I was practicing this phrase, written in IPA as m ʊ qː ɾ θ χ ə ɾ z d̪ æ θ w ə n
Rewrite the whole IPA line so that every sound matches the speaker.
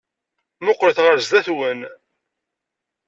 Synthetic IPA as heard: m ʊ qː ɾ θ ʁ ə ɾ z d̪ æ θ w ə n